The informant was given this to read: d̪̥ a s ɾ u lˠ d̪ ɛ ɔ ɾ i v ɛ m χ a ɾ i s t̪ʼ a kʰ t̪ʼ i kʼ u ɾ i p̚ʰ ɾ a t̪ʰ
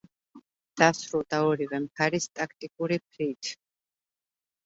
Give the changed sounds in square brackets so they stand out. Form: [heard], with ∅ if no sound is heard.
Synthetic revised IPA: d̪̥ a s ɾ u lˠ d̪ [a] ɔ ɾ i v ɛ m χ a ɾ i s t̪ʼ a kʰ t̪ʼ i kʼ u ɾ i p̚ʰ ɾ [i] t̪ʰ